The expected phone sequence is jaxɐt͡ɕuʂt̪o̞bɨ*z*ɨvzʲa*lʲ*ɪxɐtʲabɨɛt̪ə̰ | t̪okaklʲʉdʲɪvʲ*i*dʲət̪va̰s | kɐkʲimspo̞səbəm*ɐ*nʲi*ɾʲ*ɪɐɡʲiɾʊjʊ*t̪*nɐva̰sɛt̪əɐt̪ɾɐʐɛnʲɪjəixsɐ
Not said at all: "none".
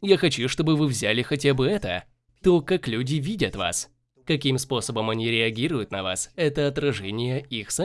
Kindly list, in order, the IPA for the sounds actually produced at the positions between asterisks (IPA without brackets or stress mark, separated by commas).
v, lʲ, i, ɐ, ɾʲ, t̪